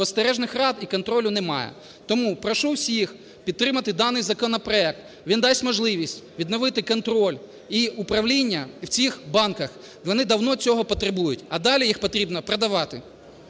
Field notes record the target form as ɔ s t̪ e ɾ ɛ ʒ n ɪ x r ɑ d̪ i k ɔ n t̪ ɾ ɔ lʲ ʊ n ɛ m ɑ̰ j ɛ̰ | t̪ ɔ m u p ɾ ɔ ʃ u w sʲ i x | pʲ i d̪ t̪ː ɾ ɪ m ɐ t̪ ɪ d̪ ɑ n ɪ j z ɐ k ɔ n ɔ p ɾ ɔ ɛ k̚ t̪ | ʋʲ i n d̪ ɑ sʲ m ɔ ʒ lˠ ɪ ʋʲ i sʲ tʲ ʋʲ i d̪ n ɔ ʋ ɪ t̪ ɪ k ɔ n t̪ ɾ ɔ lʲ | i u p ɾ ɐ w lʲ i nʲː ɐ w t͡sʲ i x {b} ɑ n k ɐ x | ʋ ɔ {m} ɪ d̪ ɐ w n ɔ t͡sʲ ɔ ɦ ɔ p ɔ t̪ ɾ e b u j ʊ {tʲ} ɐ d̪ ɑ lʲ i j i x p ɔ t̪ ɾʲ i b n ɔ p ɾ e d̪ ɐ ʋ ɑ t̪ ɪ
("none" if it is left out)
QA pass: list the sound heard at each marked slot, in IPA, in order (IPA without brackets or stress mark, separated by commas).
b, n, tʲ